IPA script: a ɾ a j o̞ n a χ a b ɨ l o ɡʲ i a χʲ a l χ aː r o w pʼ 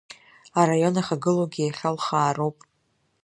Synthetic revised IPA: a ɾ a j o̞ n a χ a ɡ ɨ l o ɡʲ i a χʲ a l χ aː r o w pʼ